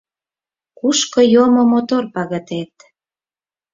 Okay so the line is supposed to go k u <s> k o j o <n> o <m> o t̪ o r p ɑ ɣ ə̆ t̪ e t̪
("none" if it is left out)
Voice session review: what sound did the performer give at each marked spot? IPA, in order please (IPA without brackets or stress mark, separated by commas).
ʃ, m, m